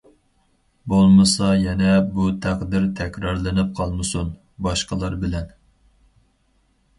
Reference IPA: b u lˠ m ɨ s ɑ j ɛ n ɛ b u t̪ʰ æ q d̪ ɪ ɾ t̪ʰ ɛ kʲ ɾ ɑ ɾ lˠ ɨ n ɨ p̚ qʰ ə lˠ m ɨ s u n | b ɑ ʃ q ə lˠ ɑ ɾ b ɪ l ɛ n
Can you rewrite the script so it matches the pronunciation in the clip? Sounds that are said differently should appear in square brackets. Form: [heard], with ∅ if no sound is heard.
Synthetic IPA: b [o] lˠ m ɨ s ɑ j ɛ n ɛ b u t̪ʰ æ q d̪ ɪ ɾ t̪ʰ ɛ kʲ ɾ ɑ ɾ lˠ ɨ n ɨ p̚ qʰ [ɑ] lˠ m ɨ s u n | b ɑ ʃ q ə lˠ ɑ ɾ b ɪ l ɛ n